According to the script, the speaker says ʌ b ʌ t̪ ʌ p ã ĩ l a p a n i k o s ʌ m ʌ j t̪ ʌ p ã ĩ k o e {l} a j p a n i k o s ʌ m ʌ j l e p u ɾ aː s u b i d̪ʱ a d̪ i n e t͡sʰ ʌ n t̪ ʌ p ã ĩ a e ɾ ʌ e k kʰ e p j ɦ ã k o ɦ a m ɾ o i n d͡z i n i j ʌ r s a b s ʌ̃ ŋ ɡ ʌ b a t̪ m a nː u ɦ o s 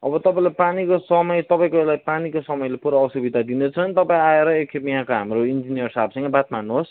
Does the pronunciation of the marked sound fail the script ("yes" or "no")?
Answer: no